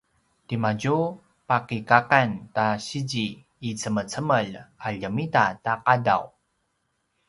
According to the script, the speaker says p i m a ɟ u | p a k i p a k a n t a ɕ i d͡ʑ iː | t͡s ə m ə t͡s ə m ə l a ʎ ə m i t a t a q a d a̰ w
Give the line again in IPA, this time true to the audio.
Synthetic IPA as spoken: t i m a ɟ u | p a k i k a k a n t a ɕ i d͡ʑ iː | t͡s ə m ə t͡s ə m ə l a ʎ ə m i t a t a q a d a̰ w